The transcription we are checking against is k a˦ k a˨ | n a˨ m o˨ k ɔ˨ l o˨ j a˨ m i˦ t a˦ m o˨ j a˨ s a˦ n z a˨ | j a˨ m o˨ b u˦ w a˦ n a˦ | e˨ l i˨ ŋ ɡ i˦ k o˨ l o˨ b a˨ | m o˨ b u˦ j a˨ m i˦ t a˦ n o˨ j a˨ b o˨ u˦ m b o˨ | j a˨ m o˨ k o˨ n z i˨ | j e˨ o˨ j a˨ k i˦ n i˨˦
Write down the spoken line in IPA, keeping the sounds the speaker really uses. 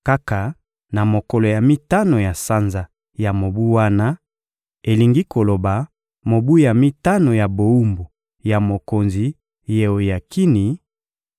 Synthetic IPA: k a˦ k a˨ | n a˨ m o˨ k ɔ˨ l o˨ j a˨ m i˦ t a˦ n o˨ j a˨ s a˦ n z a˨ | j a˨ m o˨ b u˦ w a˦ n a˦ | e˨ l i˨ ŋ ɡ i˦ k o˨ l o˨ b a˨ | m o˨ b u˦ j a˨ m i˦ t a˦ n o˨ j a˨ b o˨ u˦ m b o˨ | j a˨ m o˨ k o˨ n z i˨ | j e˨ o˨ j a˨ k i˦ n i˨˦

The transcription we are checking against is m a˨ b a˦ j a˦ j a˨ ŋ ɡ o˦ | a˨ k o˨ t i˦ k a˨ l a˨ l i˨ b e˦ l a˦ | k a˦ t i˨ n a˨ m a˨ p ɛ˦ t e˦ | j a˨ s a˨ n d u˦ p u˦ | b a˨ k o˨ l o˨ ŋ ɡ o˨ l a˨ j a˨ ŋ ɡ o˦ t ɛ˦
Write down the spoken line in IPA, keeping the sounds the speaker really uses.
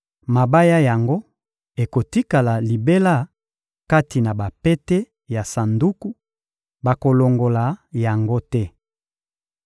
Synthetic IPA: m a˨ b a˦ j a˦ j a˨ ŋ ɡ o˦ | e˨ k o˨ t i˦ k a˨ l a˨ l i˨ b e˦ l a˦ | k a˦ t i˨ n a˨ b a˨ p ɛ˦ t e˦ | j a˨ s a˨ n d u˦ k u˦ | b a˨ k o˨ l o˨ ŋ ɡ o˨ l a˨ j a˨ ŋ ɡ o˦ t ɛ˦

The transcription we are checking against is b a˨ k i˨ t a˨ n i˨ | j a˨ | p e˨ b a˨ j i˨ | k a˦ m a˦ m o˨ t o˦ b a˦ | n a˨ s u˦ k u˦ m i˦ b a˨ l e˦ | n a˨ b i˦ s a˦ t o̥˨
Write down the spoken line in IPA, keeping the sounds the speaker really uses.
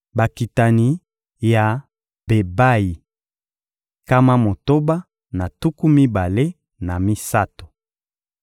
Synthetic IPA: b a˨ k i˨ t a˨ n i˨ | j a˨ | b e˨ b a˦ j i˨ | k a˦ m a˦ m o˨ t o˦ b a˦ | n a˨ t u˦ k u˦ m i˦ b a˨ l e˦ | n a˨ m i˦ s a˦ t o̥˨

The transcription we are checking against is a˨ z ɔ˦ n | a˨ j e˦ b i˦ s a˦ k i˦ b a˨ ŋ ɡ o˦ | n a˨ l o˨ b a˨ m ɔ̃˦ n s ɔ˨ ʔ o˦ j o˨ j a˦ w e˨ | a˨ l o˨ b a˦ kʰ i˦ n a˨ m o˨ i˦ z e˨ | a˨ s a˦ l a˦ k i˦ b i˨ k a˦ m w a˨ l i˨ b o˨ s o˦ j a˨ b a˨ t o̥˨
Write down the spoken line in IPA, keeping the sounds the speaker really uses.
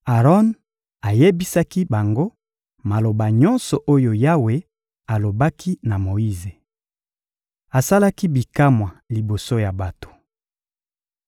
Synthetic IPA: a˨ ʁ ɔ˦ n | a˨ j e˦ b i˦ s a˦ k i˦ b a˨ ŋ ɡ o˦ | m a˨ l o˨ b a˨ ɲ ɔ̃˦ n s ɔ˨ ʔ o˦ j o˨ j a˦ w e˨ | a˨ l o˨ b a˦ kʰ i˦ n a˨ m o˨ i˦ z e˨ | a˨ s a˦ l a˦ k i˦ b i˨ k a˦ m w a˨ l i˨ b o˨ s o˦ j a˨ b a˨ t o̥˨

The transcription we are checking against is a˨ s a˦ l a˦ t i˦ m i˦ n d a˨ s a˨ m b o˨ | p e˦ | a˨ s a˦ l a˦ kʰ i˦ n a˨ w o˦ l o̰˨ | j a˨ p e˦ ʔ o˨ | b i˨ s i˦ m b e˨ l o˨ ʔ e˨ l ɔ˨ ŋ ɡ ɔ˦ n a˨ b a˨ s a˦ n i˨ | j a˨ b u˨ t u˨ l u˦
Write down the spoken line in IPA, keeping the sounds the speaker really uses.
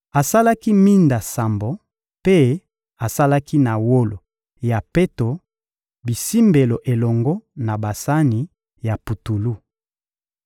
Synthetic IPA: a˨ s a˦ l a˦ k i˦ m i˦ n d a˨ s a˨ m b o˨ | p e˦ | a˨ s a˦ l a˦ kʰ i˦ n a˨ w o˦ l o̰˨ | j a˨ p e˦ t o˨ | b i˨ s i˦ m b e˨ l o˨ ʔ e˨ l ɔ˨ ŋ ɡ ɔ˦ n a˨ b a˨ s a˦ n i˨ | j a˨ p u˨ t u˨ l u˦

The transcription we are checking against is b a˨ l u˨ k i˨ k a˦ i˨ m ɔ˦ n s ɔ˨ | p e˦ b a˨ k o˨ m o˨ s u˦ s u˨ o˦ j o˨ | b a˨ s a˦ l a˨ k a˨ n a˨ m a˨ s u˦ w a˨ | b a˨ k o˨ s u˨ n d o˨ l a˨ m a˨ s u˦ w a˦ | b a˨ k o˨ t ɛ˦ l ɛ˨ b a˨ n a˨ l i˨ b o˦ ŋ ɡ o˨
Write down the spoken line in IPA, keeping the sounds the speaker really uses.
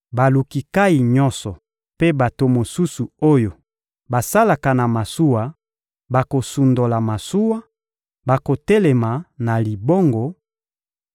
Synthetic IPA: b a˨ l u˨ k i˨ k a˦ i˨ ɲ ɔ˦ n s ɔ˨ | p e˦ b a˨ t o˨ m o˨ s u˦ s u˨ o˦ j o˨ | b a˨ s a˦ l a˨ k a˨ n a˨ m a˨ s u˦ w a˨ | b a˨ k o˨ s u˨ n d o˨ l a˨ m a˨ s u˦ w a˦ | b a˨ k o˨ t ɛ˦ l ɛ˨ m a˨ n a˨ l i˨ b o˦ ŋ ɡ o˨

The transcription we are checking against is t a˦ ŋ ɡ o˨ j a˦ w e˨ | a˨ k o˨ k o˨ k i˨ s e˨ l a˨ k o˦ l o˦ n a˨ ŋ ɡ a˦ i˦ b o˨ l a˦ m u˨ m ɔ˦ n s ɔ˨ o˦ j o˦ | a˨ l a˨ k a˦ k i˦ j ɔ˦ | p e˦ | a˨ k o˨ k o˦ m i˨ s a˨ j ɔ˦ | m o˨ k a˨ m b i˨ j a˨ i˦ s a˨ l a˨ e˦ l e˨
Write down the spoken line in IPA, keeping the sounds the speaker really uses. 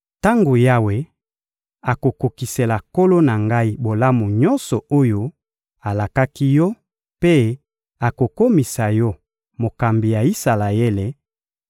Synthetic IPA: t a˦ ŋ ɡ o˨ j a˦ w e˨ | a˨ k o˨ k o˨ k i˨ s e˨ l a˨ k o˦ l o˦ n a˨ ŋ ɡ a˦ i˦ b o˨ l a˦ m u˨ ɲ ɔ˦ n s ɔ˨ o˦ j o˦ | a˨ l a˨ k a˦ k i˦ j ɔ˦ | p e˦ | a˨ k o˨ k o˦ m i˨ s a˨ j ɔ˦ | m o˨ k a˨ m b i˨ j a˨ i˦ s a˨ l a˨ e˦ l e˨

